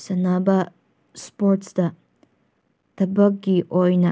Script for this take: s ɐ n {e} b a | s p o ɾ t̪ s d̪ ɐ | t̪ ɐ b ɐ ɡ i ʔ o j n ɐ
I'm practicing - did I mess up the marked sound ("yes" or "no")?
yes